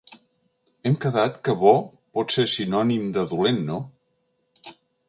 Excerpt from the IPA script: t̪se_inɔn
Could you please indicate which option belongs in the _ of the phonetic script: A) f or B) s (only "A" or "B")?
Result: B